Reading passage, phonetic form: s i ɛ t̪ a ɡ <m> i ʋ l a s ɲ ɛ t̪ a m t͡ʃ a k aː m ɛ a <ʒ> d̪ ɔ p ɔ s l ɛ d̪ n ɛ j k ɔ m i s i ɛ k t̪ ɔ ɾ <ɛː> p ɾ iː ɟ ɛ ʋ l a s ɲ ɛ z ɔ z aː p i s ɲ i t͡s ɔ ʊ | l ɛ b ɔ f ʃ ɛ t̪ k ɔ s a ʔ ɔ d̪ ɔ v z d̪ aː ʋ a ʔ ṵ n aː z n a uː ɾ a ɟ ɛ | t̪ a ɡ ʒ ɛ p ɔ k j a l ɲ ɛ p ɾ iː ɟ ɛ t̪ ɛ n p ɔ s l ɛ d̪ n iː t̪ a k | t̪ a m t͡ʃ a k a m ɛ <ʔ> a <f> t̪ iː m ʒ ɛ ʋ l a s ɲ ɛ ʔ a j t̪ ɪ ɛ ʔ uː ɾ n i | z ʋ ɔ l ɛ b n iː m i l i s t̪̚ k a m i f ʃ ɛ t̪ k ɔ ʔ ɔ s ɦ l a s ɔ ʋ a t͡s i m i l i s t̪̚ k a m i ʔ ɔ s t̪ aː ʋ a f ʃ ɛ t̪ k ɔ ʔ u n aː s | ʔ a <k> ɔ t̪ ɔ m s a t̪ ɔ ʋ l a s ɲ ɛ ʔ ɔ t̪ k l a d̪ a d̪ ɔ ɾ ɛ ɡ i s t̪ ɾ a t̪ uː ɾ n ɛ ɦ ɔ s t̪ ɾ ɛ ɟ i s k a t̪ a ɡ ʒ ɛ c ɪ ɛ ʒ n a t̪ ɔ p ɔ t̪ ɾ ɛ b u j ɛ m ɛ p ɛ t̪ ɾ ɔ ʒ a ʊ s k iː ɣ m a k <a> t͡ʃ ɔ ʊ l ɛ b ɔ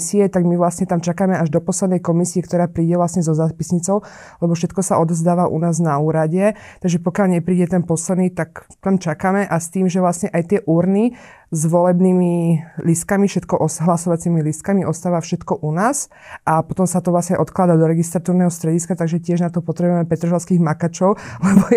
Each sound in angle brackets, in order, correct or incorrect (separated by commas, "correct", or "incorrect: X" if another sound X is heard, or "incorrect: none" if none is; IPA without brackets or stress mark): correct, correct, incorrect: aː, correct, incorrect: s, incorrect: p, correct